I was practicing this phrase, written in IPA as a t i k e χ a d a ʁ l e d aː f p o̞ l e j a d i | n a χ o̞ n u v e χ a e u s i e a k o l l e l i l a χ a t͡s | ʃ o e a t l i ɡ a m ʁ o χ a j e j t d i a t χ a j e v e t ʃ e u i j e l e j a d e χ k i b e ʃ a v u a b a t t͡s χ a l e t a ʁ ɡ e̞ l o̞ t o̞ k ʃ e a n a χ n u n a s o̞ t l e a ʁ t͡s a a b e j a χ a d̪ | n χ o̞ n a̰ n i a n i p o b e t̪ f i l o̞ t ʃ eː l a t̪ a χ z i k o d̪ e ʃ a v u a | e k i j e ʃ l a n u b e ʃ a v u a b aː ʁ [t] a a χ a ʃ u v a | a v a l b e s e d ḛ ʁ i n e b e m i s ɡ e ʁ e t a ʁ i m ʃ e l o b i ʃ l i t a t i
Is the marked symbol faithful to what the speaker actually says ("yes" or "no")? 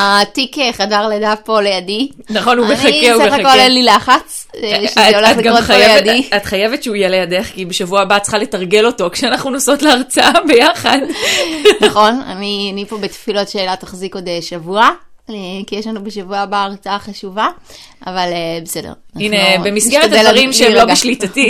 no